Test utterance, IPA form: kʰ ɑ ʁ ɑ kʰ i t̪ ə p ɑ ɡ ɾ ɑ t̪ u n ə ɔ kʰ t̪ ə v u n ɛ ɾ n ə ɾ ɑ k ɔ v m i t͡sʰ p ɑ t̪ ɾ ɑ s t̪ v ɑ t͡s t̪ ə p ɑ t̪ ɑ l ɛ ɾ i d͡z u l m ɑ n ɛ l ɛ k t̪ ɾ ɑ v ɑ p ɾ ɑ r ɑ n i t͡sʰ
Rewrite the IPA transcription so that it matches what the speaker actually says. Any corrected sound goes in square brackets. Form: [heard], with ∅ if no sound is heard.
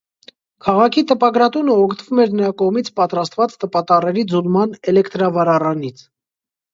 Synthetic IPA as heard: kʰ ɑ ʁ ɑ kʰ i t̪ ə p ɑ ɡ ɾ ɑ t̪ u n ə ɔ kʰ t̪ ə v u [m] ɛ ɾ n ə ɾ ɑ k ɔ [ʁ] m i t͡sʰ p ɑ t̪ ɾ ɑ s t̪ v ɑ t͡s t̪ ə p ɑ t̪ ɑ [r] ɛ ɾ i d͡z u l m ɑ n ɛ l ɛ k t̪ ɾ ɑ v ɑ [∅] ɾ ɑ r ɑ n i t͡sʰ